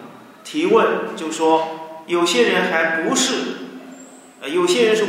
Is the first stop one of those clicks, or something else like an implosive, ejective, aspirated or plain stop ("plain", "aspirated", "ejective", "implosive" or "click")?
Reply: aspirated